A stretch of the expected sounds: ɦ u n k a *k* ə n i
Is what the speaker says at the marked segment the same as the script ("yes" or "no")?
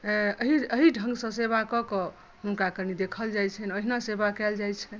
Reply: yes